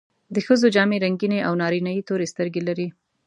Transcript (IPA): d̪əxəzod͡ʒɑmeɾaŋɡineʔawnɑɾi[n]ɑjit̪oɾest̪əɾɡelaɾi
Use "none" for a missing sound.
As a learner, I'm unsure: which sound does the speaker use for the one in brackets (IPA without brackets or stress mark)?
n